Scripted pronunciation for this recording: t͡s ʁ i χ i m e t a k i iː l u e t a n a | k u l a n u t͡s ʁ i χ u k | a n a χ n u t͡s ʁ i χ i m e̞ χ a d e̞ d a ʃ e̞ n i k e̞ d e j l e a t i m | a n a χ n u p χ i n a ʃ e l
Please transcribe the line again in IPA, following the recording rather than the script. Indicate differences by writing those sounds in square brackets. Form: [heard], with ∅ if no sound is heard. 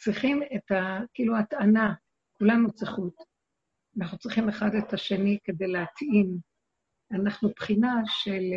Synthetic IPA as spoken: t͡s ʁ i χ i m e t a k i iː l u [a] t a n a | k u l a n u t͡s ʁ i χ u [t] | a n a χ n u t͡s ʁ i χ i m e̞ χ a d e̞ [t] a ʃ e̞ n i k e̞ d e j l e a t i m | a n a χ n u p χ i n a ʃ e l